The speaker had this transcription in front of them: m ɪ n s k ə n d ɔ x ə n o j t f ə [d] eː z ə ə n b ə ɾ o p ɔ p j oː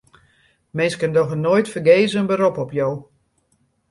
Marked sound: incorrect: ɡ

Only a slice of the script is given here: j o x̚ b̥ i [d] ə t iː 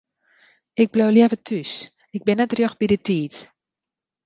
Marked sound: correct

